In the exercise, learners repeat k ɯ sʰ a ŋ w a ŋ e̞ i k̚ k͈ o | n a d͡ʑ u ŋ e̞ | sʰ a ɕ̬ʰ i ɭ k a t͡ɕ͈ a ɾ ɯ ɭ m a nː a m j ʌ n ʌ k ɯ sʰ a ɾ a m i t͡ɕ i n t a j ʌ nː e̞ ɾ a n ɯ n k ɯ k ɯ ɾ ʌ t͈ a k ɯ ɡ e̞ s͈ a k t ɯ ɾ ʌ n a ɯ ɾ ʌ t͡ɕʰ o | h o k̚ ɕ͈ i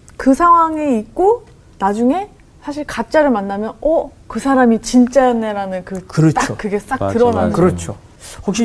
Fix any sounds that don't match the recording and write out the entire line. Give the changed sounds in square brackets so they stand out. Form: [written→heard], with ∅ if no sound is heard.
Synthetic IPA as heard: k ɯ sʰ a ŋ w a ŋ e̞ i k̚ k͈ o | n a d͡ʑ u ŋ e̞ | sʰ a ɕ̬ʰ i ɭ k a t͡ɕ͈ a ɾ ɯ ɭ m a nː a m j ʌ n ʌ k ɯ sʰ a ɾ a m i t͡ɕ i n [t→t͡ɕ͈] a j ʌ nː e̞ ɾ a n ɯ n k ɯ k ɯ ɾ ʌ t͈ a k ɯ ɡ e̞ s͈ a k t ɯ ɾ ʌ n a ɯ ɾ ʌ t͡ɕʰ o | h o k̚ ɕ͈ i